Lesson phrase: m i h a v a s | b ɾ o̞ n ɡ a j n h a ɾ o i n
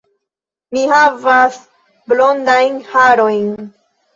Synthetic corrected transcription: m i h a v a s | b l o̞ n d a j n h a ɾ o j n